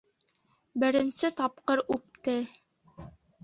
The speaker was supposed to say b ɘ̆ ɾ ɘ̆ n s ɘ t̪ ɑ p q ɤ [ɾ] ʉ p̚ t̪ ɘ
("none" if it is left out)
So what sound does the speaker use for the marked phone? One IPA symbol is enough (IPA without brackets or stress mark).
ɾ